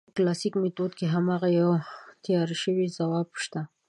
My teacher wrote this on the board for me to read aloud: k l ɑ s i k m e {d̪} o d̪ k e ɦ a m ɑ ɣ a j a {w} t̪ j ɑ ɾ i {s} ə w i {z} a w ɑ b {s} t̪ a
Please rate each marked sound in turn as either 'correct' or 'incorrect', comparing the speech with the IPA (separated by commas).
incorrect, correct, incorrect, correct, incorrect